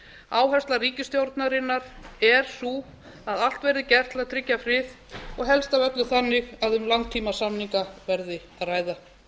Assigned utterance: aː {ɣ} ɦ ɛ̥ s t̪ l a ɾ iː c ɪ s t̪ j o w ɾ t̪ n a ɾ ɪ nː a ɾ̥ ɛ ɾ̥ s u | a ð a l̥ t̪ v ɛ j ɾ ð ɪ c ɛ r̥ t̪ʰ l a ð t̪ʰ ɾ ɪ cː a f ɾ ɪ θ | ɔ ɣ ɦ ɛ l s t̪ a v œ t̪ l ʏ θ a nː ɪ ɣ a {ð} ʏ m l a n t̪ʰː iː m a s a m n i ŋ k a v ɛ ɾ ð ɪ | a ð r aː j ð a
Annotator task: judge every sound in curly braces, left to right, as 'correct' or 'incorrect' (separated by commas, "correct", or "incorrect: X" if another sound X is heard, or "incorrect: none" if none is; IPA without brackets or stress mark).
incorrect: w, correct